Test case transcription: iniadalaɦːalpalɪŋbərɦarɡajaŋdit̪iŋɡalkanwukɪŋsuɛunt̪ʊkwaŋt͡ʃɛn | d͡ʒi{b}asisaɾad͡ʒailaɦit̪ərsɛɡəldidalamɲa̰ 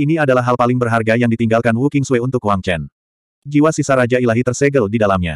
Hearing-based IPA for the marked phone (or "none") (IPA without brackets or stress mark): w